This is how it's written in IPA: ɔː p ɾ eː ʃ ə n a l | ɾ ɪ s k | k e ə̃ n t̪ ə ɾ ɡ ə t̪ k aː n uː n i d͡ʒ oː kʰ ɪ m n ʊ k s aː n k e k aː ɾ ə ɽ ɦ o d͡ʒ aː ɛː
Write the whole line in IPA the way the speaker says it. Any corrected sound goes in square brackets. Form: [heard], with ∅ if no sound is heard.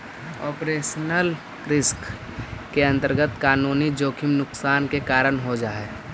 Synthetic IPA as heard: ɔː p ɾ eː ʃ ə n [ə] l | ɾ ɪ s k | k e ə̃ n t̪ ə ɾ ɡ ə t̪ k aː n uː n i d͡ʒ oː kʰ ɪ m n ʊ k s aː n k e k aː ɾ ə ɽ ɦ o d͡ʒ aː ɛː